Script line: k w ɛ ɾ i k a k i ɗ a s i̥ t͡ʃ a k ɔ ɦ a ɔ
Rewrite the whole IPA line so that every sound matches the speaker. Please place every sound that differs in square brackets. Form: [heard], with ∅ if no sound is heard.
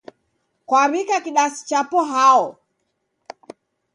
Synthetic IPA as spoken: k w [a] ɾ i k a k i ɗ a s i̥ t͡ʃ a [p] ɔ ɦ a ɔ